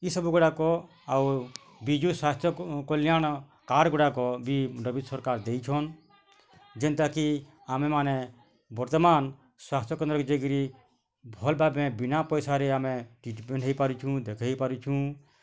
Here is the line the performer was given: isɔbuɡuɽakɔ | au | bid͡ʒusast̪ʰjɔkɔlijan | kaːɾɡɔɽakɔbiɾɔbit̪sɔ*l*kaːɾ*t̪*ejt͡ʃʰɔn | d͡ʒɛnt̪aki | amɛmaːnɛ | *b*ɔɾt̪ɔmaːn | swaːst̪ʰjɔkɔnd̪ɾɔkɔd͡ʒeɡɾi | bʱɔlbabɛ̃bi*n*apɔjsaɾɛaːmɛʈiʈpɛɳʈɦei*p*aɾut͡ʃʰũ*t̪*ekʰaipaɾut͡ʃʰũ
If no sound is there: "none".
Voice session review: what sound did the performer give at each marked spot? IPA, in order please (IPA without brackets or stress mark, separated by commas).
ɾ, d̪, b, n, p, d̪